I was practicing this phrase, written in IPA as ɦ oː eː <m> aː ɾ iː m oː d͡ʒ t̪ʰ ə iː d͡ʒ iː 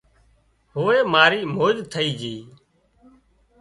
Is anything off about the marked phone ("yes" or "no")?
no